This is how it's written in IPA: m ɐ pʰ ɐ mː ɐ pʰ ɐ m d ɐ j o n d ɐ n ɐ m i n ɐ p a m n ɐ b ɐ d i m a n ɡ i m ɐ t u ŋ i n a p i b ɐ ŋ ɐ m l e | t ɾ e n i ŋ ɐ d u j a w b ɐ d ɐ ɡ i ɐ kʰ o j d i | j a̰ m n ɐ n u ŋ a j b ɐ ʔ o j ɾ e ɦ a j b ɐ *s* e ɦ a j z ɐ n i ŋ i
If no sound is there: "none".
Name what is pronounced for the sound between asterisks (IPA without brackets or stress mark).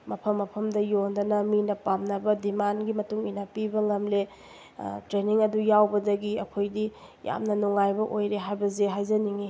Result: z